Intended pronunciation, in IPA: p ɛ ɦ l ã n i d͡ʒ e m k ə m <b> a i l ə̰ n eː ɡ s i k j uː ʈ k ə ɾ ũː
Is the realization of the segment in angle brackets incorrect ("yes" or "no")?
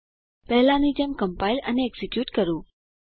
yes